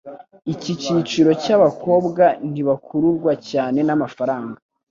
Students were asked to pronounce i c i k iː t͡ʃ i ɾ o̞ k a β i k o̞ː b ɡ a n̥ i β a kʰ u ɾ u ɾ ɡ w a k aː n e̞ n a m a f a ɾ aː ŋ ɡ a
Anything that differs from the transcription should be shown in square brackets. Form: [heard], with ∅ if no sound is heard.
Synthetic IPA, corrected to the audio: i c i [c] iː t͡ʃ i ɾ o̞ [c] a β [a] k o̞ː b ɡ a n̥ i β a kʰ u ɾ u ɾ ɡ w a [c] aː n e̞ n a m a f a ɾ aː ŋ ɡ a